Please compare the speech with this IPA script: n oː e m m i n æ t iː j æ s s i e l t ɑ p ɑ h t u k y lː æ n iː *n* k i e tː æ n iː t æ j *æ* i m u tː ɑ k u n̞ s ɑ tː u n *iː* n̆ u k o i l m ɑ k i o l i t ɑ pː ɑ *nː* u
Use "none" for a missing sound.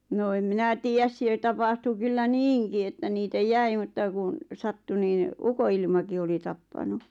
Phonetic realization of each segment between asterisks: ŋ, æ, iː, n

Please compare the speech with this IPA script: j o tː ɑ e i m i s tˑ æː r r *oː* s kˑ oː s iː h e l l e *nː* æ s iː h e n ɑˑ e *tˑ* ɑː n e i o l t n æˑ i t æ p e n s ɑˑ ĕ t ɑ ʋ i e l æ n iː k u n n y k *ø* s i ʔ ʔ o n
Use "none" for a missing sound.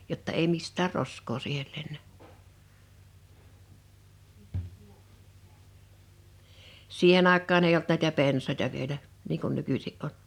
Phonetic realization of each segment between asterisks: o, nː, kˑ, y

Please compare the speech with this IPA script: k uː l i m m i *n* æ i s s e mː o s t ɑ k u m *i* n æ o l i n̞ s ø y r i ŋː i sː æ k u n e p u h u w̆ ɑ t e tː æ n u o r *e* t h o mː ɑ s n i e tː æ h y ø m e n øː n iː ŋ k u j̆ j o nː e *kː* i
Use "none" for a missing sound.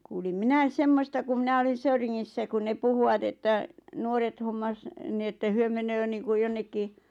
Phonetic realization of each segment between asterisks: n, i, e, kː

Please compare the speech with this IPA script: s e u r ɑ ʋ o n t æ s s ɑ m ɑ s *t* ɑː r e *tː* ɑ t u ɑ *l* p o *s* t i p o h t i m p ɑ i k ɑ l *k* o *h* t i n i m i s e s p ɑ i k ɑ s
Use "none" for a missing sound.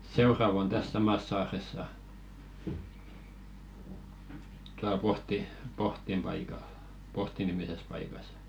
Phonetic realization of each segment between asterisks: s, sː, l, h, p, h

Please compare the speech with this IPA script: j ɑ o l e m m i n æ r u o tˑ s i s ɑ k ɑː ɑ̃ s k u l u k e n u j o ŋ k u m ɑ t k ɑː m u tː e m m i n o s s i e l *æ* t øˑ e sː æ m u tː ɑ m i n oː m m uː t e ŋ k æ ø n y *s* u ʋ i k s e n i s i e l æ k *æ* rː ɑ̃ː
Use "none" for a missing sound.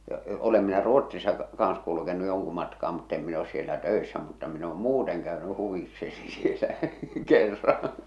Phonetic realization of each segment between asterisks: æ, h, e

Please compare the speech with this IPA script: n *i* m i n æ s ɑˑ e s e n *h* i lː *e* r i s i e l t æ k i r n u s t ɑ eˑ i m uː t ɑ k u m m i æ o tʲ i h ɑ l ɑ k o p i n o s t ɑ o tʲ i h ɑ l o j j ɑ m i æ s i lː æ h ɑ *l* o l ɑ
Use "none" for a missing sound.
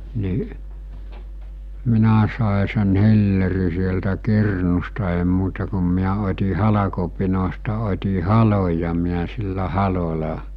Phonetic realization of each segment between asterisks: i, h, e, l

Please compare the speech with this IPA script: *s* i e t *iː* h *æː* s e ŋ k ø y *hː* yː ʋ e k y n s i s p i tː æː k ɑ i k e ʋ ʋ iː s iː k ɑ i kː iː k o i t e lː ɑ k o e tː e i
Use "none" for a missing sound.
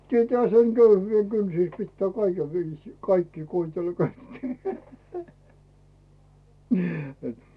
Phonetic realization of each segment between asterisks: t, æː, æ, h

